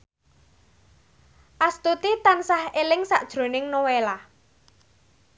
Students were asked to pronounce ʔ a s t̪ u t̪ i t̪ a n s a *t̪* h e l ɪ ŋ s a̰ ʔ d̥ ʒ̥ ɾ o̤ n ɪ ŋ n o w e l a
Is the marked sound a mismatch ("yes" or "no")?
yes